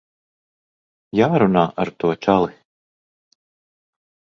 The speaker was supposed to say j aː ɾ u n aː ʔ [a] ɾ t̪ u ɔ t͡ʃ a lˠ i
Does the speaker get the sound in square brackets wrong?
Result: no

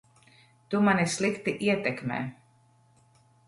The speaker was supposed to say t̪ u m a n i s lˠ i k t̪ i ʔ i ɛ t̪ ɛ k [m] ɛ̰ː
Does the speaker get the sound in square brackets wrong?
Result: no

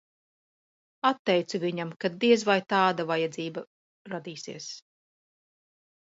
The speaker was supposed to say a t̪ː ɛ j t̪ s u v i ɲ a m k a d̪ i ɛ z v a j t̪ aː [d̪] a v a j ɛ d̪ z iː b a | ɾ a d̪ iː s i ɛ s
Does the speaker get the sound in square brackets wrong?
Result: no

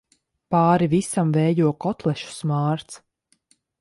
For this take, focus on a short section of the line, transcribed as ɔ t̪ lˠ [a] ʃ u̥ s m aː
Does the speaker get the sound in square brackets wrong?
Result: yes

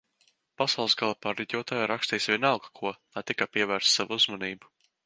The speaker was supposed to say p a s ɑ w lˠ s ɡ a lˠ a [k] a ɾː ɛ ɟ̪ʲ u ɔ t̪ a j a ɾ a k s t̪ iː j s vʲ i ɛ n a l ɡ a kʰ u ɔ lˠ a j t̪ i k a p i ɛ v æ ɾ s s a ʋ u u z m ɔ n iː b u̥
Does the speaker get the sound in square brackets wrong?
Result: yes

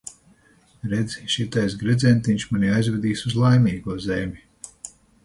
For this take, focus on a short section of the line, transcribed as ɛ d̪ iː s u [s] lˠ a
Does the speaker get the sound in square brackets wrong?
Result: yes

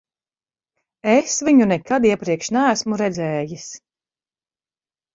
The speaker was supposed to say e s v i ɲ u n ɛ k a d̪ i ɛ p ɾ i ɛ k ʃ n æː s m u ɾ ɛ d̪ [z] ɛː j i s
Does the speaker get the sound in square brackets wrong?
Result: no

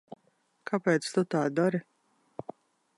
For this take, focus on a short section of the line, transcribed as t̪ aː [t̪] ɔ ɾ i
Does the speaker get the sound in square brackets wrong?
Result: yes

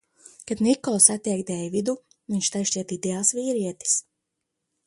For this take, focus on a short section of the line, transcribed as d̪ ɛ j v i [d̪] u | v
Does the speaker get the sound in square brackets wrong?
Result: no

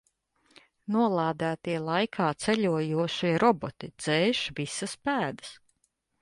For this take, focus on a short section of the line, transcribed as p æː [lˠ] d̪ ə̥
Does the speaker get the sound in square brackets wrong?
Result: yes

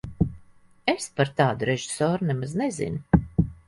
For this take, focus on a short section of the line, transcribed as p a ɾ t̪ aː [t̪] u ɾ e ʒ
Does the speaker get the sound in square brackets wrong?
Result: yes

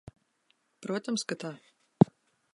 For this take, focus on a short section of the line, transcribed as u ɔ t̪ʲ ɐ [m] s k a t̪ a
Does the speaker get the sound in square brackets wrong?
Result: no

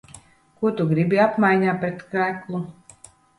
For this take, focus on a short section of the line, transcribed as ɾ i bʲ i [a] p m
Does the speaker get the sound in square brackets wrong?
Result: no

